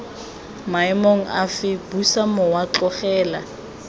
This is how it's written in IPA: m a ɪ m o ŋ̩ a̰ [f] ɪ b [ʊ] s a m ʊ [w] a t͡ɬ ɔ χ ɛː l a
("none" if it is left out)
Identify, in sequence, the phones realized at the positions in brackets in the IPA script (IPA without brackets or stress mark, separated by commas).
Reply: f, u, w